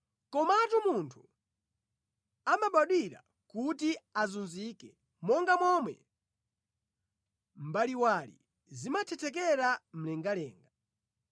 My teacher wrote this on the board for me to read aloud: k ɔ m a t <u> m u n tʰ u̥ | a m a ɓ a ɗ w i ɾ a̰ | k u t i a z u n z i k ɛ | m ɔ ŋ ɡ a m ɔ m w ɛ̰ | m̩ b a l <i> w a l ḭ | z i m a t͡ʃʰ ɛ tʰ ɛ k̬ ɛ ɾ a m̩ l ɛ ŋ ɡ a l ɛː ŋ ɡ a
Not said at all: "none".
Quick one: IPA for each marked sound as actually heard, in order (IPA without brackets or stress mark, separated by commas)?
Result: u, i